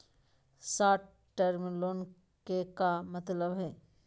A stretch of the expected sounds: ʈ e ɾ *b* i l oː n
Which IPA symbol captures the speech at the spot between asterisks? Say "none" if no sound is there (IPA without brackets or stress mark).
m